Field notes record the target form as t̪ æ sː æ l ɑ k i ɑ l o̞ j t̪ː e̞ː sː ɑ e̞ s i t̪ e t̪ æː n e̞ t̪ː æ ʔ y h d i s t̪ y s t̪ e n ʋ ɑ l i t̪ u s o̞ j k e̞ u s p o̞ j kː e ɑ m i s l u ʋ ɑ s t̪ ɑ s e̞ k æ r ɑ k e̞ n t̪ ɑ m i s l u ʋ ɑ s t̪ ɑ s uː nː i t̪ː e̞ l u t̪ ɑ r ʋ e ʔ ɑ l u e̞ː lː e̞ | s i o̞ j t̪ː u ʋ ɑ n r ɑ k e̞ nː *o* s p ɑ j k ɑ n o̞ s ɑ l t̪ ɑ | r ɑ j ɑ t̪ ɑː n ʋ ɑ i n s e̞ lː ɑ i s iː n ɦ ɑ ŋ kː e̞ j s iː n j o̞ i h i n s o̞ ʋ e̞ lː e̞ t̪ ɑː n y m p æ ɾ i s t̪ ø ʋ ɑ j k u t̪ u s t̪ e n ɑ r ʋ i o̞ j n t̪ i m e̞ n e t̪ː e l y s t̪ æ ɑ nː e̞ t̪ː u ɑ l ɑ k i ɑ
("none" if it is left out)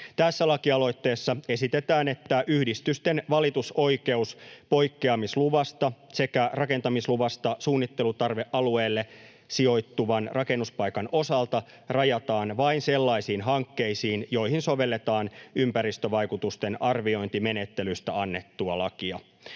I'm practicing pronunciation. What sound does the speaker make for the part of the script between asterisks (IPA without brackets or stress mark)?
u